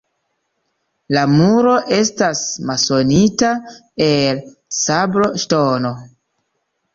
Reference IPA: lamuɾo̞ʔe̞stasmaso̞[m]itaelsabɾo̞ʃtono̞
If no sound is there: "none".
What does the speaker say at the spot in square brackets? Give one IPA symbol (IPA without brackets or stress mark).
n